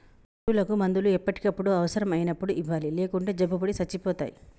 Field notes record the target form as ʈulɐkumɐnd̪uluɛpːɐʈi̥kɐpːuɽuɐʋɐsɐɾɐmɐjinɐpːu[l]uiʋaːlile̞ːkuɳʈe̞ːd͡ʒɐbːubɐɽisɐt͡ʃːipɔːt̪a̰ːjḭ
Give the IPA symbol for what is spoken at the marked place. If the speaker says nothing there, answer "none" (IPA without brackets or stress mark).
ɽ